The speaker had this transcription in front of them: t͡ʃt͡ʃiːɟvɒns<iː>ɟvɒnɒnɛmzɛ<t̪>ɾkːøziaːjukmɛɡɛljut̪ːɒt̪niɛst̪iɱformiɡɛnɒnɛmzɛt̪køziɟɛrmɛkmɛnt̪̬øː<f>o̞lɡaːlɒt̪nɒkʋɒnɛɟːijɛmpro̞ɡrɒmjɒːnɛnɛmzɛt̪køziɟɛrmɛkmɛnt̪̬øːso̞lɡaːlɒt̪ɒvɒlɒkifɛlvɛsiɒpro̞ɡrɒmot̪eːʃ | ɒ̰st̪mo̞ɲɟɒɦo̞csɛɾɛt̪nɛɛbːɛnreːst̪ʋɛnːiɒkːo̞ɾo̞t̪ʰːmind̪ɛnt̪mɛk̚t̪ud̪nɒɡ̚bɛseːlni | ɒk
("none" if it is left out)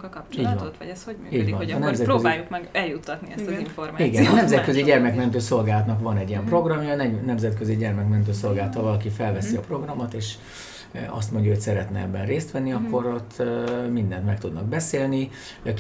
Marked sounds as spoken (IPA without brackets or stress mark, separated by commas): iː, t̪, s